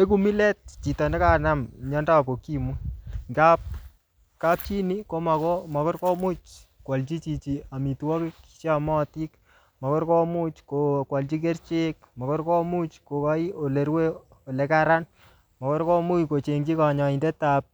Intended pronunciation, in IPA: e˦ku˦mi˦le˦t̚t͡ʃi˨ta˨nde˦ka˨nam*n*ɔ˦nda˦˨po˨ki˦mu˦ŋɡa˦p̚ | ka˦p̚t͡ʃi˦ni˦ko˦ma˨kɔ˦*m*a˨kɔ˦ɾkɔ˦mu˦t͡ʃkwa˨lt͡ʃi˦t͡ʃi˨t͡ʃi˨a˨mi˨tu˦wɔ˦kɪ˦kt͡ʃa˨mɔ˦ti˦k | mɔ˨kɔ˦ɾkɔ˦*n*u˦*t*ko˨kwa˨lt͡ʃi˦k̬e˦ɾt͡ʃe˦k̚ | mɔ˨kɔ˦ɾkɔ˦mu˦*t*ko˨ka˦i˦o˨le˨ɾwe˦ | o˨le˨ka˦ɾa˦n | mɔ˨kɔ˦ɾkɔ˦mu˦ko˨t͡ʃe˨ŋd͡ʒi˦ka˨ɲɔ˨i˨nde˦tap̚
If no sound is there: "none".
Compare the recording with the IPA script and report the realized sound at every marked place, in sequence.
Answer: ɲ, m, m, t͡ʃ, t͡ʃ

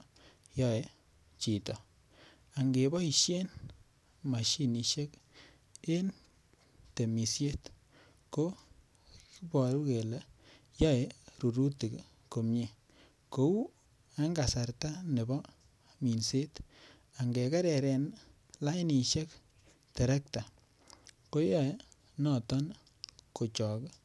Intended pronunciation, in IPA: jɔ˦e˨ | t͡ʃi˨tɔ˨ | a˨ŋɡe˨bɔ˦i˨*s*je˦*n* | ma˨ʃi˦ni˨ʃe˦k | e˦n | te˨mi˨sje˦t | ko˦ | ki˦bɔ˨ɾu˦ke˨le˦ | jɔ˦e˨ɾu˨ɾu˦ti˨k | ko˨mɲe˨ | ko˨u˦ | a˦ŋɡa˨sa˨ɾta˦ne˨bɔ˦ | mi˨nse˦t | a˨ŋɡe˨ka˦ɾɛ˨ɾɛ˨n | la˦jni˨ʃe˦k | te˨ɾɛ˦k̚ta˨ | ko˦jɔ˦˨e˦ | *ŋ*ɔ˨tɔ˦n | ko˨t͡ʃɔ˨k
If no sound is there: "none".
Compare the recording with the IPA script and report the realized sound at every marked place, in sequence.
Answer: ʃ, n, n

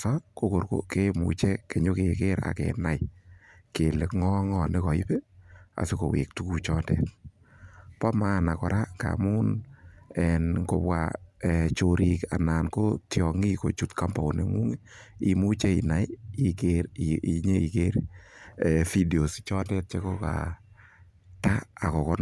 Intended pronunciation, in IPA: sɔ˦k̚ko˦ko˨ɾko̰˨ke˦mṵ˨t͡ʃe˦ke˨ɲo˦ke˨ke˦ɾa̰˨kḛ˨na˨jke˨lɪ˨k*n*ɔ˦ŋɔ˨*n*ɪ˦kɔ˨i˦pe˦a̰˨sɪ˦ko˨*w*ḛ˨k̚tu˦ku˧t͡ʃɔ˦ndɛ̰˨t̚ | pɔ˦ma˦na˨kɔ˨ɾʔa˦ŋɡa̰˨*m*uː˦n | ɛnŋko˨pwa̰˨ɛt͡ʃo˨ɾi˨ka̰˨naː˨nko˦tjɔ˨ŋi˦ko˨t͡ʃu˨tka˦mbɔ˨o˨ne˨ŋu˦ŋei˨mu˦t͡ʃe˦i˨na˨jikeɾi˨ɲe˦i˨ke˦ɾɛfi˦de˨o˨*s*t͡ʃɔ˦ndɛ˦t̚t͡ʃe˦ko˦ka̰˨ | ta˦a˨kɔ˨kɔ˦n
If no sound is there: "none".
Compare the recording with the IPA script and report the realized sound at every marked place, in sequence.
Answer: ŋ, n, w, m, s

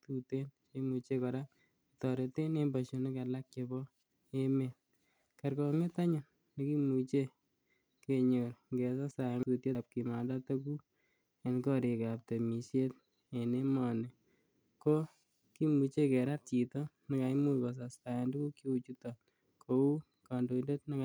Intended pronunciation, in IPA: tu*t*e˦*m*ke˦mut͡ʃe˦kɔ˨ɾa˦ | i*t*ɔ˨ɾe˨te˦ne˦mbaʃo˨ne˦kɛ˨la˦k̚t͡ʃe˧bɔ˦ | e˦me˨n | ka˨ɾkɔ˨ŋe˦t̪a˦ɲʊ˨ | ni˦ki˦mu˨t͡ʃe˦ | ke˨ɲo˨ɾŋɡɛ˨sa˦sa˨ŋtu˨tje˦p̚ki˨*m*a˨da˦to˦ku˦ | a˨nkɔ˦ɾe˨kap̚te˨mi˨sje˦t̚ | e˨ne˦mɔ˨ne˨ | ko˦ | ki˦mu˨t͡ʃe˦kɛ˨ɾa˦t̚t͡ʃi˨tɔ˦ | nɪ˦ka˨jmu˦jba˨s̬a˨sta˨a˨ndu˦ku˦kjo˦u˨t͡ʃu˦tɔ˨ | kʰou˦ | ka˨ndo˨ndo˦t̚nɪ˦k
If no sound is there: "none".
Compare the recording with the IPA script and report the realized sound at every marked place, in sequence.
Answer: t, n, t, m

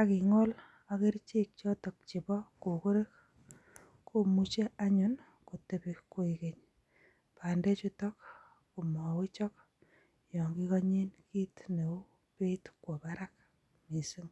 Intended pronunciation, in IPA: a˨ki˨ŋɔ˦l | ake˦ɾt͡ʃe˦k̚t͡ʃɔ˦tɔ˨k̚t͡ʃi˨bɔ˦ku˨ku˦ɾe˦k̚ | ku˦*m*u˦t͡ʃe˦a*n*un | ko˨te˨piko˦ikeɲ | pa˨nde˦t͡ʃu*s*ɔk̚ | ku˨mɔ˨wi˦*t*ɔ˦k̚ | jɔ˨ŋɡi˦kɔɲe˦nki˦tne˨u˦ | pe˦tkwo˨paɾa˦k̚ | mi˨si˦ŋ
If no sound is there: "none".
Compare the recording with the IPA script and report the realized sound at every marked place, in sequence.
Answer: m, ɲ, t, t͡ʃ

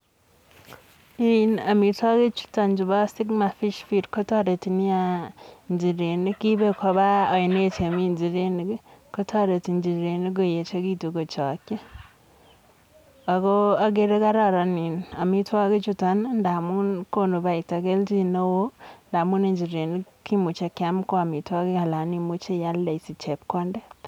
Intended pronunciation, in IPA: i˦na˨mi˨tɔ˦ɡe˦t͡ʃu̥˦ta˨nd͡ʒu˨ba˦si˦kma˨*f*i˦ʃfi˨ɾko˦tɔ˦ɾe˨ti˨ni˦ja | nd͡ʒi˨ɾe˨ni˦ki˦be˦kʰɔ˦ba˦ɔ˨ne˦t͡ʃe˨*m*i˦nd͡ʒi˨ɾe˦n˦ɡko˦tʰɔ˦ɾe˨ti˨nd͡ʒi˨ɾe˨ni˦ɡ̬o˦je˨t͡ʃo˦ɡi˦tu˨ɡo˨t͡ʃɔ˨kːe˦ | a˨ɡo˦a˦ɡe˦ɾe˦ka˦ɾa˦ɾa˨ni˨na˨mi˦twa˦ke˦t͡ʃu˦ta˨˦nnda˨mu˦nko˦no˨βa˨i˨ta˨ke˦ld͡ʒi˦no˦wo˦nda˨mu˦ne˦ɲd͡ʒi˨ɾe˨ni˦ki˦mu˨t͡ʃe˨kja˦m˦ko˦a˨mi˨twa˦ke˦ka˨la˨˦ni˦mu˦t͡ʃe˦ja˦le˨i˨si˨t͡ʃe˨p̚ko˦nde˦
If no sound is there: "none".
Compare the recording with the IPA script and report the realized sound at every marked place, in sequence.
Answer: f, m

